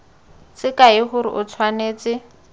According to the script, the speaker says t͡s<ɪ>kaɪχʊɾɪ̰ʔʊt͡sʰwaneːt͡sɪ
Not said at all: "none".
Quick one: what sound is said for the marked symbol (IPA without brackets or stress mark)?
ɪ